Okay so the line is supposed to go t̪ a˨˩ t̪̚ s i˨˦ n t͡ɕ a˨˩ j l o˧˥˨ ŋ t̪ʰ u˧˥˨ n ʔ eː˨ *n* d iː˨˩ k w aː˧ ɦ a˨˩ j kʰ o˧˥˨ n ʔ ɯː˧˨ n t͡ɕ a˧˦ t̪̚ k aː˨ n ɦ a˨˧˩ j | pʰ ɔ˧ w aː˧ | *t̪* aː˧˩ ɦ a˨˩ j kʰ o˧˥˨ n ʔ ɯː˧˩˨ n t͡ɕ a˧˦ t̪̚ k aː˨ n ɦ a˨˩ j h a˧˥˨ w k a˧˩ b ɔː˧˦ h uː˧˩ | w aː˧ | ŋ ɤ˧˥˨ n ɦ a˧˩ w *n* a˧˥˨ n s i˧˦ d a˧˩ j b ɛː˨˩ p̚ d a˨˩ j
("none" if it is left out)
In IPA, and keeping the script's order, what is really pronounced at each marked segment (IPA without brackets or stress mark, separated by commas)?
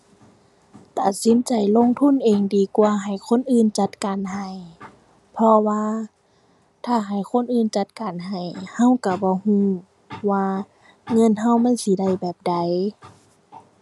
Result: ŋ, t̪ʰ, m